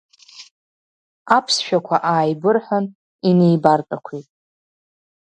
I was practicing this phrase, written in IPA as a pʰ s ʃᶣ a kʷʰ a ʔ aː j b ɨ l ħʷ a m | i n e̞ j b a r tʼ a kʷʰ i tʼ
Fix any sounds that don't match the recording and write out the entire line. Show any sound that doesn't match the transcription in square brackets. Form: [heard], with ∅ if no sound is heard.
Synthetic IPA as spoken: a pʰ s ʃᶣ a kʷʰ a ʔ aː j b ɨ [r] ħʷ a [n] | i n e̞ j b a r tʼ a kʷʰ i tʼ